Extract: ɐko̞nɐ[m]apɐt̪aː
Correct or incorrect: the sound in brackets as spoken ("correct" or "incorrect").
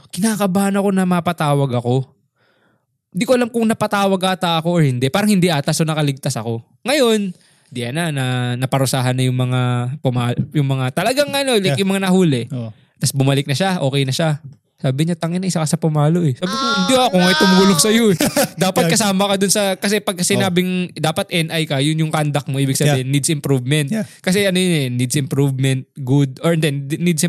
correct